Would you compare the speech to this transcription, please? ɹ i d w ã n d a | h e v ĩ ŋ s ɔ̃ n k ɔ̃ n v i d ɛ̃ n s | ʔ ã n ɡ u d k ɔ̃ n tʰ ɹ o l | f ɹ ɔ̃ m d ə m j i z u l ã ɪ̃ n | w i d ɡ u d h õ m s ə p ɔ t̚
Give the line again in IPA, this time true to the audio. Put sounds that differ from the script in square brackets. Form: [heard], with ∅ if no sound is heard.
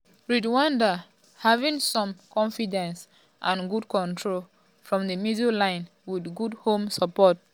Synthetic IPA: ɹ i d w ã n d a | h [a] v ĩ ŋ s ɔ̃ [m] k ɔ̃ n [f] i d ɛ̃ n s | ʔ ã n ɡ u d k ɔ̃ n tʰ ɹ o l | f ɹ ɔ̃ m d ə m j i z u l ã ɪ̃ n | w i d ɡ u d h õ m s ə p ɔ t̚